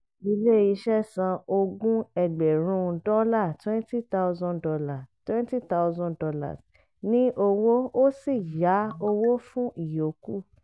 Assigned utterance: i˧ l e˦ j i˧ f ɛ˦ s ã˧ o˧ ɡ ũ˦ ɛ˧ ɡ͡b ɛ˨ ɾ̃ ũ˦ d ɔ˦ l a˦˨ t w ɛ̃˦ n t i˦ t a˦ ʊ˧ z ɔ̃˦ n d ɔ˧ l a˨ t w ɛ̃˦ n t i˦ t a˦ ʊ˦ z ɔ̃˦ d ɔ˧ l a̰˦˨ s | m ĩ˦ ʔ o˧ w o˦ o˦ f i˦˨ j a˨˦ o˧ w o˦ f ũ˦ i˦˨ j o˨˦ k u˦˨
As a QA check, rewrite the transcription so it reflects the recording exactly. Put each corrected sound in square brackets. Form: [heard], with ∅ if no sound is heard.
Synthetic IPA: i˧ l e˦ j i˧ [ʃ] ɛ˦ s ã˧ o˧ ɡ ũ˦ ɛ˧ ɡ͡b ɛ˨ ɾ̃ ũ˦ d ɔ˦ l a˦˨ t w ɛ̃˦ n t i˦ t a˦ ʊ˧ z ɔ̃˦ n d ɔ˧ l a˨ t w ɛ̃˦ n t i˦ t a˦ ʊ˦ z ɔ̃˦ d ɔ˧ l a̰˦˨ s | [n] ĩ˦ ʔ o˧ w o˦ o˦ [s] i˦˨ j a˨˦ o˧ w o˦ f ũ˦ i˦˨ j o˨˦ k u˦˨